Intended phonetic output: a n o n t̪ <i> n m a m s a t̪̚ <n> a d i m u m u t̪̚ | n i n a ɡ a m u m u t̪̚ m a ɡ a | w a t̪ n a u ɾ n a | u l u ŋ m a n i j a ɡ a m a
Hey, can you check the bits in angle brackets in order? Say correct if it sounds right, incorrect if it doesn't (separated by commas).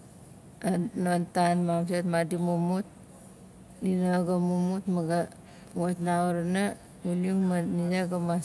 incorrect, incorrect